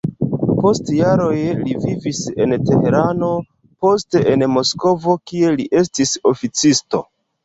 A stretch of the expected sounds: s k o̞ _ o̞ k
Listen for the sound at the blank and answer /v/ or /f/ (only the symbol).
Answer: v